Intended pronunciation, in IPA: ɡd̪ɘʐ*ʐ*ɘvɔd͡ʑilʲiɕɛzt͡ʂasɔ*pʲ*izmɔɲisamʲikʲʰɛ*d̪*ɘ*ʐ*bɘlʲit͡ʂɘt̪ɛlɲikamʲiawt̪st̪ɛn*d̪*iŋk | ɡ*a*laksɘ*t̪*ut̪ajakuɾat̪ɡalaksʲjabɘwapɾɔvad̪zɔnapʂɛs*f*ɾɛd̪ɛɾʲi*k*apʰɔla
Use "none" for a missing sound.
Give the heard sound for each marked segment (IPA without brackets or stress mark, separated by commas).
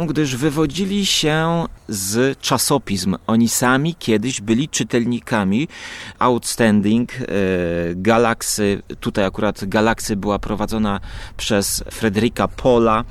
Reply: v, pʲ, d̪, ʑ, d̪, a, t̪, f, k